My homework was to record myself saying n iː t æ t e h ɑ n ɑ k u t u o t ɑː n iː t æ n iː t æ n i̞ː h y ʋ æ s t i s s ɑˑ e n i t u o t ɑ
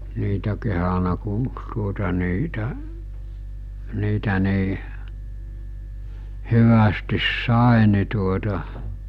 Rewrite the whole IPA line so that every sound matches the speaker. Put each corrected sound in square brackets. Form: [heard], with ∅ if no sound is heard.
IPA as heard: n iː t æ [k] e h ɑ n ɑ k u t u o t [ɑ] n iː t æ n iː t æ n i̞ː h y ʋ æ s t i s s ɑˑ e n i t u o t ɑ